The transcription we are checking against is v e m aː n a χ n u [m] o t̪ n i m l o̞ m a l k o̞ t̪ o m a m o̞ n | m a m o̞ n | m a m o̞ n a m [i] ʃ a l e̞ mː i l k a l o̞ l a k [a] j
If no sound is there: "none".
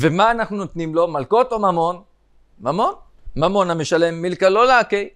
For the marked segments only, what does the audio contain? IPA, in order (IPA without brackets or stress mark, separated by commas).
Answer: n, e, e